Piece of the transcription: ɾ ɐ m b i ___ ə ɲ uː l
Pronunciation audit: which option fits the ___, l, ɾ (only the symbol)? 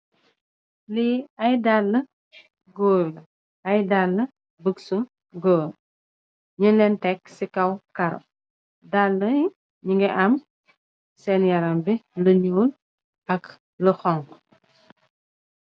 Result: l